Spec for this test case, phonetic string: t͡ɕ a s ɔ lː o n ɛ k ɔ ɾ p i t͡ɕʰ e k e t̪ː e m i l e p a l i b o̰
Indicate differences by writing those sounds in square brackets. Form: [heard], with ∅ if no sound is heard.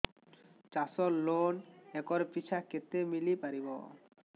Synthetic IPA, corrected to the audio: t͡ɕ a s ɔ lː o n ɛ k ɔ ɾ p i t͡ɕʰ [a] k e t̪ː e m i l [i] p a [ɾ] i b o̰